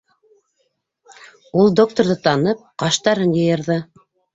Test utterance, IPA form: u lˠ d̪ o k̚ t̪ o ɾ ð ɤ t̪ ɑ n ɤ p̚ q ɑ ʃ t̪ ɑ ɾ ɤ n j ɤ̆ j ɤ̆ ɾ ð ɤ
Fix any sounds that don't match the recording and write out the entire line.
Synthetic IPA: u lˠ d̪ o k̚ t̪ o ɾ ð ɤ t̪ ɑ n ɤ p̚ q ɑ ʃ t̪ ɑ ɾ ɤ n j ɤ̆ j ɤ̆ ɾ ð ɤ